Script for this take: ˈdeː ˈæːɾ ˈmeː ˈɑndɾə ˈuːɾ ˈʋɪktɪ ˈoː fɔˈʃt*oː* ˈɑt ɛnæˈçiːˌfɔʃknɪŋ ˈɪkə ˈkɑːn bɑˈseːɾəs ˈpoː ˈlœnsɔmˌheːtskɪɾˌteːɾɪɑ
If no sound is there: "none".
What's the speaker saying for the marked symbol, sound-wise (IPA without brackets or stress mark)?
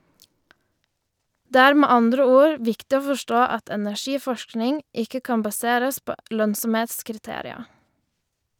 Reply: oː